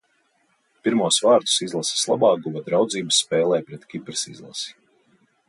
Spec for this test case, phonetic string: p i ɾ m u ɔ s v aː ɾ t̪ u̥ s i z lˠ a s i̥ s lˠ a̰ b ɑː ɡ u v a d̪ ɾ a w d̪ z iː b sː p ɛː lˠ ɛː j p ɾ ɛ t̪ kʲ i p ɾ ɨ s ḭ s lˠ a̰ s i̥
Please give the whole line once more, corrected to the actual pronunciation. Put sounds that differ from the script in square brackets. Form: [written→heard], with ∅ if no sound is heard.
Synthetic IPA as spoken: p i ɾ m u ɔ s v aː ɾ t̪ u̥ s i z lˠ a s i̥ s lˠ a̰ b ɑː ɡ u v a d̪ ɾ a w d̪ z iː b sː p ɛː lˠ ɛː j p ɾ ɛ t̪ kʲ i p ɾ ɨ s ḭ [s→z] lˠ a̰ s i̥